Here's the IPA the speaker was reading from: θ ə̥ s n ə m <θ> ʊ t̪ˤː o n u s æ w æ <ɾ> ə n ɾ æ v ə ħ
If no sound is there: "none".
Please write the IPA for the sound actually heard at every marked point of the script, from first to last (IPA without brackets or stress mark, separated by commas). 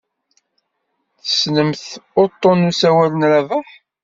θ, l